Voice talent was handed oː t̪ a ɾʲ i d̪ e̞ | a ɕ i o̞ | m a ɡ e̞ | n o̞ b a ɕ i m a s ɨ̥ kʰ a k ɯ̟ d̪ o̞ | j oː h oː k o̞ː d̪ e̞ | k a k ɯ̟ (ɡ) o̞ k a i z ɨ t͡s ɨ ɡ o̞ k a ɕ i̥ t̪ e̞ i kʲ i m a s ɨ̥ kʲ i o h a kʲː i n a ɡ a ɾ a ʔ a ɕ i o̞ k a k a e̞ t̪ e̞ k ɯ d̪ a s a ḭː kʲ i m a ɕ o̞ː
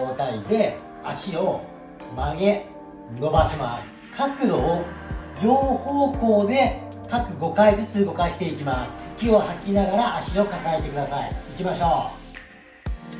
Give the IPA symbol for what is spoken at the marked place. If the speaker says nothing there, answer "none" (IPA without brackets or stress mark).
ɡ